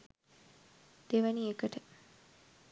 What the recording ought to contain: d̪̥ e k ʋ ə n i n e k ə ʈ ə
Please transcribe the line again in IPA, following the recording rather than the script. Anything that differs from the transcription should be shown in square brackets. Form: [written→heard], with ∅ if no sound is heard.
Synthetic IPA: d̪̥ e [k→∅] ʋ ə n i [n→∅] e k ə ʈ ə